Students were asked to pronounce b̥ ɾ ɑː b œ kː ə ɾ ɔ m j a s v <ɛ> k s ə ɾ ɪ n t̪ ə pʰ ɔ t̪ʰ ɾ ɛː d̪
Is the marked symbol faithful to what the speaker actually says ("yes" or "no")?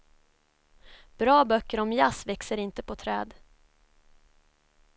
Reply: yes